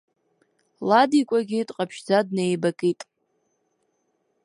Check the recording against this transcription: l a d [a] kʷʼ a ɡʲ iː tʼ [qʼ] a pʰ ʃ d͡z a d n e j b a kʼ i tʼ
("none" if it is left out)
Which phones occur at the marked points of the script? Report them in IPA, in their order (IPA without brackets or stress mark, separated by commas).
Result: i, qʼ